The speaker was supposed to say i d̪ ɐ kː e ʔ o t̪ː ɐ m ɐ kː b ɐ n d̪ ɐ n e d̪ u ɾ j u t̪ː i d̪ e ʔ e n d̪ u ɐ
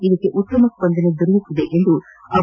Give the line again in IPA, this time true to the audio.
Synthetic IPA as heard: i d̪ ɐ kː e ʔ u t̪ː ɐ m ɐ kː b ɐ n d̪ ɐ n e d̪ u ɾ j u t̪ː i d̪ e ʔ e n d̪ u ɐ